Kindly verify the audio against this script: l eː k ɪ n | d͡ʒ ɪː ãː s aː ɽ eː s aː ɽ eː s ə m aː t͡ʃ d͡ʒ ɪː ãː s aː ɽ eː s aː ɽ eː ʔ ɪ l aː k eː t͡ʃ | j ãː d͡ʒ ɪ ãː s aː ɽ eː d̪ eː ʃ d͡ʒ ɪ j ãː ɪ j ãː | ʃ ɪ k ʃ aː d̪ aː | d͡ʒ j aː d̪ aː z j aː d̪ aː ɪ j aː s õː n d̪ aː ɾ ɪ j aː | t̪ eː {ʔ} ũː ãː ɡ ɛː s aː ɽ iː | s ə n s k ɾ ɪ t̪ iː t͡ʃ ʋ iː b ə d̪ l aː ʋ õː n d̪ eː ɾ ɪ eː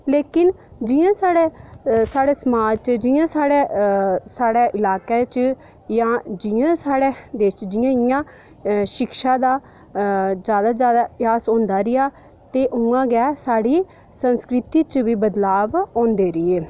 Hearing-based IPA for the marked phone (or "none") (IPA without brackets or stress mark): ʔ